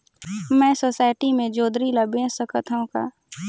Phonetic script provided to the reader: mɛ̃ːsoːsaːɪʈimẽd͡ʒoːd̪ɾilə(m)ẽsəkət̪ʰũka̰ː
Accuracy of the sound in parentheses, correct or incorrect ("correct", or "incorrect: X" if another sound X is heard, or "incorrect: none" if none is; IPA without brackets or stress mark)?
incorrect: b